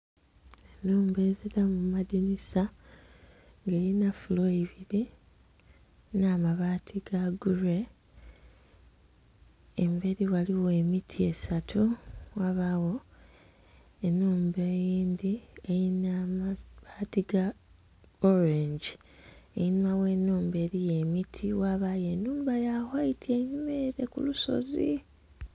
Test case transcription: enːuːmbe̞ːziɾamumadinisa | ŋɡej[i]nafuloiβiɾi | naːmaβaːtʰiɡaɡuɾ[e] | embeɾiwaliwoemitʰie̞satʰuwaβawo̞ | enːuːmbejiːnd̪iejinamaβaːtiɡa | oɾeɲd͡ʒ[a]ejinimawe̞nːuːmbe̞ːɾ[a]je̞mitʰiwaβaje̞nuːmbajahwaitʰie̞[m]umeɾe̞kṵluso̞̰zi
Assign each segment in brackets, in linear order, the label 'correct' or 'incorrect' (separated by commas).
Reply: correct, correct, incorrect, incorrect, incorrect